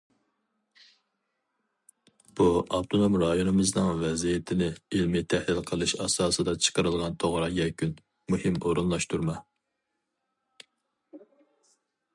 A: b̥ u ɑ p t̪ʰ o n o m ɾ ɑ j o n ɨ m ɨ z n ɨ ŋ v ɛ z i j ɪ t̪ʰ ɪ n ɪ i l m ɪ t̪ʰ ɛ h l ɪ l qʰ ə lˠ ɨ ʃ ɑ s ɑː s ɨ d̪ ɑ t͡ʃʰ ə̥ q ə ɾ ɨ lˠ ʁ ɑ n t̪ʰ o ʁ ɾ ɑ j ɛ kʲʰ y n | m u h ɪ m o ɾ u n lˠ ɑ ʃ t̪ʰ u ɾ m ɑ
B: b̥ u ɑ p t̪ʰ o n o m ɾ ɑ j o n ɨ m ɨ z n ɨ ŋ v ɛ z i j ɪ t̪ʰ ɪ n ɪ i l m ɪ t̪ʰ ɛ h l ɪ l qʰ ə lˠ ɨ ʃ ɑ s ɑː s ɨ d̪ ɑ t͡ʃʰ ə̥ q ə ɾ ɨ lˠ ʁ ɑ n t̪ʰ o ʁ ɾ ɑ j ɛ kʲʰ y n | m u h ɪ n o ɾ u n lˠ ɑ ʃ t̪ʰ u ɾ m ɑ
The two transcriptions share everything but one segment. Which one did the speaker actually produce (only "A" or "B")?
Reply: A